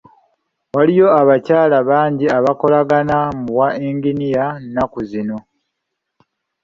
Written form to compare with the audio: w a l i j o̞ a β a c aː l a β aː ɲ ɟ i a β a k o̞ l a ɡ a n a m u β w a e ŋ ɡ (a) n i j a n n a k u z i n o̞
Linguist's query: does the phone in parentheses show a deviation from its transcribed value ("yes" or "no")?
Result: yes